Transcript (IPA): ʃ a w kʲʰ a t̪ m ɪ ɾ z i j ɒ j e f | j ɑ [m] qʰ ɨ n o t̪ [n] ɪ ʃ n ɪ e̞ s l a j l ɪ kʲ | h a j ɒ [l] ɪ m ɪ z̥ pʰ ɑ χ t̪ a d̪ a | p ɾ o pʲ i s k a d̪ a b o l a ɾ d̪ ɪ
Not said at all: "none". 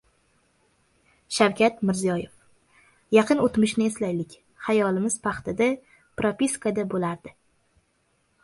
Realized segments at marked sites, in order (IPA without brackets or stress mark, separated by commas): none, m, l